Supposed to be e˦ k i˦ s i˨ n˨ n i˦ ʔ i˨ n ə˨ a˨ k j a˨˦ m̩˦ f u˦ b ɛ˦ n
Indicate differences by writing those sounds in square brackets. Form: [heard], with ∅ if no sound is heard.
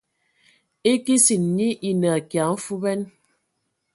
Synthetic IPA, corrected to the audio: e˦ k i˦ s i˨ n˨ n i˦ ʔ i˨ n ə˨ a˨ k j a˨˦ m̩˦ f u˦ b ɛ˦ n